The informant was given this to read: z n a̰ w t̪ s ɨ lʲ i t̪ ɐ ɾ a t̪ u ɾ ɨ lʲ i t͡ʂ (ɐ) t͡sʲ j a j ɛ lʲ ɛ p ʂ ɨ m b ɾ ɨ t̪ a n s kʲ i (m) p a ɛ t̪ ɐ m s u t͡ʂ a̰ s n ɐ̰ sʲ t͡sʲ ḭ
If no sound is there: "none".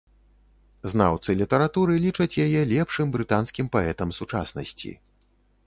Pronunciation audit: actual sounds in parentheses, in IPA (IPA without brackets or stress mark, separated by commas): ɐ, m